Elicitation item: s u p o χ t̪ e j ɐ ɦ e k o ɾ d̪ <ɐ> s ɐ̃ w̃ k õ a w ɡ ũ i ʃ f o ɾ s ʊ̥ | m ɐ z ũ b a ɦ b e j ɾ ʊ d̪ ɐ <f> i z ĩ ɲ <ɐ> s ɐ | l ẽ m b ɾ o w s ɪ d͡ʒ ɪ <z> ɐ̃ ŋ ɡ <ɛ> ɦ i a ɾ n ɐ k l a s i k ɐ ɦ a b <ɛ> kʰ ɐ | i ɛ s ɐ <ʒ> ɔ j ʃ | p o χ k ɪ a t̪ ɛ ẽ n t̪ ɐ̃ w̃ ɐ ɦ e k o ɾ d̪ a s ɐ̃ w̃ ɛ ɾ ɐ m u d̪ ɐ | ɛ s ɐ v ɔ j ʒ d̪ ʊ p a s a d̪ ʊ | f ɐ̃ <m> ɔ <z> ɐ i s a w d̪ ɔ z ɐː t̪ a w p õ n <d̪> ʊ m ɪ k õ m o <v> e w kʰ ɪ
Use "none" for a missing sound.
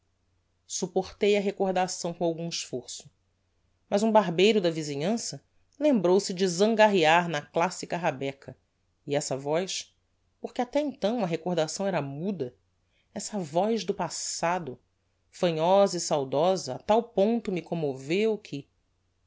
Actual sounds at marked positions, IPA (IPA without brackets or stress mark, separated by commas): a, v, ɐ̃, z, a, ɛ, v, ɲ, z, t̪, v